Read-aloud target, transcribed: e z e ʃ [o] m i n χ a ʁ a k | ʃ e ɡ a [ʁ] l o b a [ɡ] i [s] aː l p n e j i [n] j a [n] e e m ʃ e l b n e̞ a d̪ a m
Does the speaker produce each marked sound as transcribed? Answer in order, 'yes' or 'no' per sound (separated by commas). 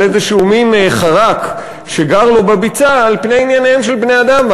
no, yes, no, no, yes, yes